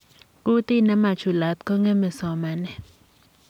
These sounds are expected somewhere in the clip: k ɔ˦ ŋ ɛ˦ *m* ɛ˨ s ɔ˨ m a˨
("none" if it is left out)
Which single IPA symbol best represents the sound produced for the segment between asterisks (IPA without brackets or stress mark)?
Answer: m